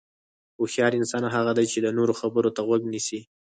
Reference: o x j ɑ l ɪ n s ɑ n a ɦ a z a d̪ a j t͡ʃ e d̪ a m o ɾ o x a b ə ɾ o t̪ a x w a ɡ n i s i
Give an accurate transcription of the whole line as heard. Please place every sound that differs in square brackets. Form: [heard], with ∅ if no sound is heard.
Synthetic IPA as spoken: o x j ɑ [ɾ] ɪ n s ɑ n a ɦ a [ɣ] a d̪ a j t͡ʃ e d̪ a [n] o ɾ o x a b ə ɾ o t̪ a [ɣ] w a ɡ n i s i